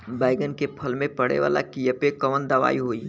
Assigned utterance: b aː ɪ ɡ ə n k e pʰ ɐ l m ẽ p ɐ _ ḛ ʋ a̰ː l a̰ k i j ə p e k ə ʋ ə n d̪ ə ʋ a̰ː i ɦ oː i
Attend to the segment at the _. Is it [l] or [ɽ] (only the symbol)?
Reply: ɽ